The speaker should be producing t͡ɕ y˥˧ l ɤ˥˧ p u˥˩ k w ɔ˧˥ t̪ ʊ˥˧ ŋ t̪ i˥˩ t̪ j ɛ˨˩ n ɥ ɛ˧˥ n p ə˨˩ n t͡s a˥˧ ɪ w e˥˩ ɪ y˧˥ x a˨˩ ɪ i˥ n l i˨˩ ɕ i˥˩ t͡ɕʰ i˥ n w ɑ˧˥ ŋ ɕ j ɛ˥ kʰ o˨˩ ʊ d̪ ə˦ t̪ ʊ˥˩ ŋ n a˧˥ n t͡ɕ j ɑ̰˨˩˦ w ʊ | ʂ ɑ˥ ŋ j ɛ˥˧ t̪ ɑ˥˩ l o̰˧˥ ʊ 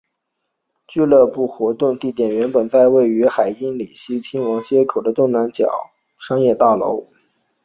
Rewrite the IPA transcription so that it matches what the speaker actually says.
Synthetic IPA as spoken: t͡ɕ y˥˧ l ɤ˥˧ p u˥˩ x w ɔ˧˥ t̪ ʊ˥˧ ŋ t̪ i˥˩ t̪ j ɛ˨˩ n ɥ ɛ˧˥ n p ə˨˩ n t͡s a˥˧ ɪ w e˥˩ ɪ y˧˥ x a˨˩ ɪ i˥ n l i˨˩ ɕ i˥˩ t͡ɕʰ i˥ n w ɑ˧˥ ŋ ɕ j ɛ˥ kʰ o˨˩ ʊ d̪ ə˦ t̪ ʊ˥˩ ŋ n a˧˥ n t͡ɕ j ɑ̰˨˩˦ ʊ | ʂ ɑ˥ ŋ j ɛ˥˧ t̪ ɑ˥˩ l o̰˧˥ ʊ

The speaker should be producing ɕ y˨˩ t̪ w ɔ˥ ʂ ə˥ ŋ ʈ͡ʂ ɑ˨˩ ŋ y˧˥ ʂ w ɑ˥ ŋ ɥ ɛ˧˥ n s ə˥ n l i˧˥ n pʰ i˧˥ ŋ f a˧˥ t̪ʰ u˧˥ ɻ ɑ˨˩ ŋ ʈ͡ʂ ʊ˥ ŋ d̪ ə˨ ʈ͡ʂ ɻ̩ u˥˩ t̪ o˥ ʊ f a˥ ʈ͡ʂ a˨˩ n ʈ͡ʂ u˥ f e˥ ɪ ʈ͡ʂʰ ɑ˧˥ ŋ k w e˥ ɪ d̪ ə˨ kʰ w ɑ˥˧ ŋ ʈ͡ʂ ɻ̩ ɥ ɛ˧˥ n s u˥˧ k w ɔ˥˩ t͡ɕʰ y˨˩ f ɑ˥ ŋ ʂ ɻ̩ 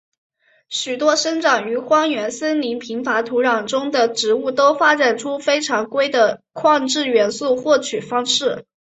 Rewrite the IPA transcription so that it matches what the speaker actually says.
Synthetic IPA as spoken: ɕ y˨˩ t̪ w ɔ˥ ʂ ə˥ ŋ ʈ͡ʂ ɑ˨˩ ŋ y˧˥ x w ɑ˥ ŋ ɥ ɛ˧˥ n s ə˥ n l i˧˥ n pʰ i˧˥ ŋ f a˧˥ t̪ʰ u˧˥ ɻ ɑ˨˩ ŋ ʈ͡ʂ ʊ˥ ŋ d̪ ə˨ ʈ͡ʂ ɻ̩ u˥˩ t̪ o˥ ʊ f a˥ ʈ͡ʂ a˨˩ n ʈ͡ʂʰ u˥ f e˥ ɪ ʈ͡ʂʰ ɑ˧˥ ŋ k w e˥ ɪ d̪ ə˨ kʰ w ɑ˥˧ ŋ ʈ͡ʂ ɻ̩ ɥ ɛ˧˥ n s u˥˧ x w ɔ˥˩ t͡ɕʰ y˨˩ f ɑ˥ ŋ ʂ ɻ̩

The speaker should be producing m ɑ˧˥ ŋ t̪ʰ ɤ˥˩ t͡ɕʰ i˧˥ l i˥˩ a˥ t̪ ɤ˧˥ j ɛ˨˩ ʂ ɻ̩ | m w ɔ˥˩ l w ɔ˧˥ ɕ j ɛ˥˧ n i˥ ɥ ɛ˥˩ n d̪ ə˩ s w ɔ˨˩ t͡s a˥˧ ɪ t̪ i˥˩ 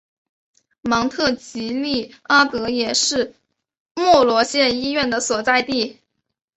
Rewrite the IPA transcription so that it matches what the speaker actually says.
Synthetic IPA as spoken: m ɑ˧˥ ŋ t̪ʰ ɤ˥˩ t͡ɕ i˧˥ l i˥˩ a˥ t̪ ɤ˧˥ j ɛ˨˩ ʂ ɻ̩ | m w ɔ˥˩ l w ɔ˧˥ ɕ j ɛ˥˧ n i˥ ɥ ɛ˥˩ n d̪ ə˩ s w ɔ˨˩ t͡s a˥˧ ɪ t̪ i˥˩

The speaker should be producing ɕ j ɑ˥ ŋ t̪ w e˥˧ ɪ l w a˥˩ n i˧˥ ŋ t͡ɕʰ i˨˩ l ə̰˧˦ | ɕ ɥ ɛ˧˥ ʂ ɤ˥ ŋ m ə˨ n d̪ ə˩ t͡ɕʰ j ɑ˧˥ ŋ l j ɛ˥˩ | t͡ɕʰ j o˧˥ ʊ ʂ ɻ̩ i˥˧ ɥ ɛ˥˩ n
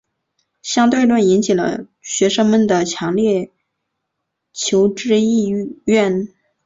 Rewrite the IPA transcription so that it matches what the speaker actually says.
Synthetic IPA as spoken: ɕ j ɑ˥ ŋ t̪ w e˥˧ ɪ l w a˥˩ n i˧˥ n t͡ɕʰ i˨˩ l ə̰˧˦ | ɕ ɥ ɛ˧˥ ʂ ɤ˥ ŋ m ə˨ n d̪ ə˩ t͡ɕʰ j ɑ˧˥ ŋ l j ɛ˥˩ | t͡ɕʰ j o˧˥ ʊ ʈ͡ʂ ɻ̩ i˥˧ ɥ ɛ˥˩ n

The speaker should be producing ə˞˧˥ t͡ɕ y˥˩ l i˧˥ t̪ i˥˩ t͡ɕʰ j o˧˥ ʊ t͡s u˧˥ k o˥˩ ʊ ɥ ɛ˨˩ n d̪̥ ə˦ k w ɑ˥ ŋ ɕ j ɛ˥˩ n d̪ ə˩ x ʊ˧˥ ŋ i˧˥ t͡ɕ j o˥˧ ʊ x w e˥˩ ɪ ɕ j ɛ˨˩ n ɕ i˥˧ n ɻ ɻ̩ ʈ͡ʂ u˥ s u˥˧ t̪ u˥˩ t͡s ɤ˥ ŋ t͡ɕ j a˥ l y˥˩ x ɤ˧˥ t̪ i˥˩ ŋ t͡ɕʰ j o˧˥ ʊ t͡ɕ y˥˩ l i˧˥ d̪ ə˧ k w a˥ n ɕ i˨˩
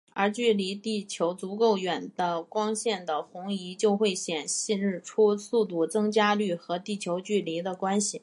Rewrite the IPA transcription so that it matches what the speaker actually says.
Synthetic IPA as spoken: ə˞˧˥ t͡ɕ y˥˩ l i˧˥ t̪ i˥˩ t͡ɕʰ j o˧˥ ʊ t͡s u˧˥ k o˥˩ ʊ ɥ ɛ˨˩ n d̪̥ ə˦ k w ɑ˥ ŋ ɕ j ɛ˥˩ n d̪ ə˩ x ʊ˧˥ ŋ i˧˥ t͡ɕ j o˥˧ ʊ x w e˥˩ ɪ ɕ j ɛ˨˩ n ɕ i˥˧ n ɻ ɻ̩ ʈ͡ʂʰ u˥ s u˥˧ t̪ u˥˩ t͡s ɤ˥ ŋ t͡ɕ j a˥ l y˥˩ x ɤ˧˥ t̪ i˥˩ t͡ɕʰ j o˧˥ ʊ t͡ɕ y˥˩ l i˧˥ d̪ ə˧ k w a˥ n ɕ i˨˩

